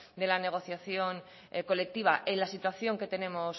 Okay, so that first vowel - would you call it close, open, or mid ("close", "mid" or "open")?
mid